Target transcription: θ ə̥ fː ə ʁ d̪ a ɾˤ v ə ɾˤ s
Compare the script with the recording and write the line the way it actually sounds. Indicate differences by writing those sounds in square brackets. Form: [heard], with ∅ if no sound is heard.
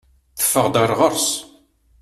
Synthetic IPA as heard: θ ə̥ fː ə ʁ d̪ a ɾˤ [ʁ] ə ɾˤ s